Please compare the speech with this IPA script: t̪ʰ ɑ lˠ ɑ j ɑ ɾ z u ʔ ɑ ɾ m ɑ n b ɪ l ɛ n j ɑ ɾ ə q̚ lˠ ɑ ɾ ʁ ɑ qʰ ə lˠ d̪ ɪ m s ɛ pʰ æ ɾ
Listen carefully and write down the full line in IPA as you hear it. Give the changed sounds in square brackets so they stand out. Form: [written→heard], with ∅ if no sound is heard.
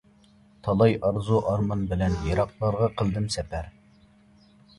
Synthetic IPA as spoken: t̪ʰ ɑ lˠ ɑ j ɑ ɾ z u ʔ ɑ ɾ m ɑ n b ɪ l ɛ n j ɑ ɾ [ə→ɑ] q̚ lˠ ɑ ɾ ʁ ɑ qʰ ə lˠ d̪ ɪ m s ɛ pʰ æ ɾ